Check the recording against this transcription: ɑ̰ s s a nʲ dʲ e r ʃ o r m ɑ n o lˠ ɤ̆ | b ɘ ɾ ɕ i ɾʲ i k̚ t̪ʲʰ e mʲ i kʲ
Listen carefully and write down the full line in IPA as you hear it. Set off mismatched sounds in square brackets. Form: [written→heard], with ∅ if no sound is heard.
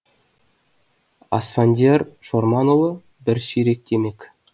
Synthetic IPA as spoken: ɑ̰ s [s→f] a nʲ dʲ e r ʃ o r m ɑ n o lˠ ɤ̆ | b ɘ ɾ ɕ i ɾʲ [i→e] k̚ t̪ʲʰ e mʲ [i→e] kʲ